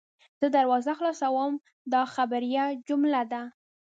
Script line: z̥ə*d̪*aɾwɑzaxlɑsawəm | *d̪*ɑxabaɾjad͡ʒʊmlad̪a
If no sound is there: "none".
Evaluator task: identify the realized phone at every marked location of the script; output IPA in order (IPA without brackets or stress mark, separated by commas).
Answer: d̪, d̪